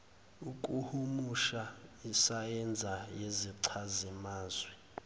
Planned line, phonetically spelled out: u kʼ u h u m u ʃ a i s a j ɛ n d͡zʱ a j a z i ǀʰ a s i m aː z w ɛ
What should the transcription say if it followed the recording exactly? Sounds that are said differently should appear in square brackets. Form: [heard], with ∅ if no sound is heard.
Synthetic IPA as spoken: u kʼ u h u m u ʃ a i s a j ɛ n d͡zʱ a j [e] z i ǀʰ a [z] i m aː z w ɛ